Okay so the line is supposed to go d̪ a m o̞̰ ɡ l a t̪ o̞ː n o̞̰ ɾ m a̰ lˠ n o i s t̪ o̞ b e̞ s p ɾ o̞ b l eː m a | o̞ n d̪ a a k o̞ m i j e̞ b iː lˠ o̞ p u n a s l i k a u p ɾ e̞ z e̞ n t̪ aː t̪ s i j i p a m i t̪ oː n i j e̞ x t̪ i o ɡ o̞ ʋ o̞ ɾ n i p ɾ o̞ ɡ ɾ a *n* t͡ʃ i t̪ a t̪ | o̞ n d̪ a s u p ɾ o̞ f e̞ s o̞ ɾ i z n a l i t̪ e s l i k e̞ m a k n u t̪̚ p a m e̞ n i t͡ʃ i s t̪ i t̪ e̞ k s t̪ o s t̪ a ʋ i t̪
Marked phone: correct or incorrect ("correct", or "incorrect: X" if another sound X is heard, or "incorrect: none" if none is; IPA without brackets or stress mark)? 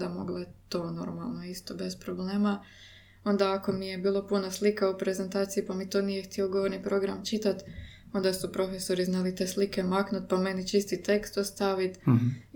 incorrect: m